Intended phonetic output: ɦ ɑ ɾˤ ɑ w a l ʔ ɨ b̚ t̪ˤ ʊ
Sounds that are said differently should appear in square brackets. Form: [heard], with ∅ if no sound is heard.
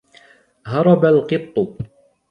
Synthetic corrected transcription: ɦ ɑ ɾˤ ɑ [b] a l [q] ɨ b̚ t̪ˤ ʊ